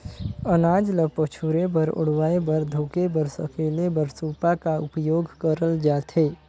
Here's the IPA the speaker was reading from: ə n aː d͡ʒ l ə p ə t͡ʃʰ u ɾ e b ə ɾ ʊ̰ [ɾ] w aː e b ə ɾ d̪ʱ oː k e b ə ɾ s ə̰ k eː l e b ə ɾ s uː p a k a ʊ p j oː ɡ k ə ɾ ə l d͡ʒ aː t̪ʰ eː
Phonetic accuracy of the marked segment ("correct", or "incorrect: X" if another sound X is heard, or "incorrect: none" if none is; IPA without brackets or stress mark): incorrect: ɽ